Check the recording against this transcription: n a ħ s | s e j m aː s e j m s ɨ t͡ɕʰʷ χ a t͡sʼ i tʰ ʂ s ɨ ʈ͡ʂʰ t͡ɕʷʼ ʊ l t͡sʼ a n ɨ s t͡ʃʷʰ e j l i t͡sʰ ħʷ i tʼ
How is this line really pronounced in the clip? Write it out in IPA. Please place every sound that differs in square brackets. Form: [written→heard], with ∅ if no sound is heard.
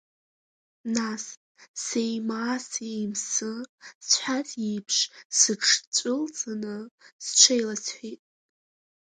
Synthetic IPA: n a [ħ→∅] s | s e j m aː s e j m s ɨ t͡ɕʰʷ [χ→ħ] a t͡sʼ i [tʰ→pʰ] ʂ s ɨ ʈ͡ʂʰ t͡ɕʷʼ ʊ l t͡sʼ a n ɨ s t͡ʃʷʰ e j l [i→a] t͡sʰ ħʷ i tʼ